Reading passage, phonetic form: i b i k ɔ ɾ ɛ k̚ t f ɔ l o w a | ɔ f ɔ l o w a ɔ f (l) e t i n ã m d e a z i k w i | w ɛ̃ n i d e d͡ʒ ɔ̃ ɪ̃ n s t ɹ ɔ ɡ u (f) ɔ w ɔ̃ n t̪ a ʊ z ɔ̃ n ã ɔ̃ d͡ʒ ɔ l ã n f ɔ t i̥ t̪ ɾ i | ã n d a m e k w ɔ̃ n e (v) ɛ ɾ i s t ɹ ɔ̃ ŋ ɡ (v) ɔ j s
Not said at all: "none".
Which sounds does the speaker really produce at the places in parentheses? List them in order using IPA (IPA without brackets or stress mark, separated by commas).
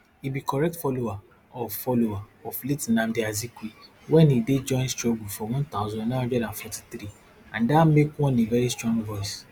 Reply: l, f, v, v